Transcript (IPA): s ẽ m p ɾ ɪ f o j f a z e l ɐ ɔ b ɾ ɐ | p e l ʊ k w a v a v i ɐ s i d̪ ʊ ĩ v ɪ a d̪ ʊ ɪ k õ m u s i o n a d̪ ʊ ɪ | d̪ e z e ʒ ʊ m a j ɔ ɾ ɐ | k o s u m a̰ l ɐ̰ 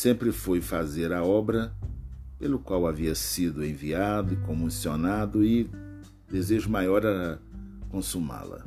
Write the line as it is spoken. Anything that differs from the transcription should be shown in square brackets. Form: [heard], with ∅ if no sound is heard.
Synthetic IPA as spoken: s ẽ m p ɾ ɪ f o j f a z e [ɾ] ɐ ɔ b ɾ ɐ | p e l ʊ k w a [w] a v i ɐ s i d̪ ʊ [ẽ] v [i] a d̪ ʊ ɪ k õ m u s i o n a d̪ ʊ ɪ | d̪ e z e ʒ ʊ m a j ɔ ɾ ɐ | k [õ] s u m a̰ l ɐ̰